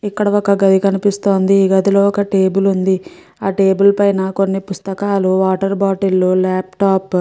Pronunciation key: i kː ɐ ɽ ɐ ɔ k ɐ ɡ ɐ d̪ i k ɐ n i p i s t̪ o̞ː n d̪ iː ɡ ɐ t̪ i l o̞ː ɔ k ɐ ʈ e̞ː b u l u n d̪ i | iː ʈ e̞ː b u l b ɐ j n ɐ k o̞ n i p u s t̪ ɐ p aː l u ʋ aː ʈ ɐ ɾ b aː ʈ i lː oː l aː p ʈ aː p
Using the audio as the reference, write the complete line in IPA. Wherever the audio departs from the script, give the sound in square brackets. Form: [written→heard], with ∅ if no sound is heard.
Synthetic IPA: i kː ɐ ɽ ɐ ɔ k ɐ ɡ ɐ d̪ i k ɐ n i p i s t̪ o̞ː n d̪ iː ɡ ɐ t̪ i l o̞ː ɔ k ɐ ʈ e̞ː b u l u n d̪ i | [iː→aː] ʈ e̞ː b u l [b→p] ɐ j n ɐ k o̞ [n→nː] i p u s t̪ ɐ [p→k] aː l u ʋ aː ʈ ɐ ɾ b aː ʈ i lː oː l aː p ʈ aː p